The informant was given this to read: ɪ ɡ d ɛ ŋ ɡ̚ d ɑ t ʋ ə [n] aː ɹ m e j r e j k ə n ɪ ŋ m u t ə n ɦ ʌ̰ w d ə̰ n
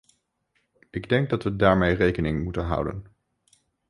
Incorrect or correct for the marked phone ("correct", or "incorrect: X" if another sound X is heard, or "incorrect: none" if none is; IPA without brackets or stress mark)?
incorrect: d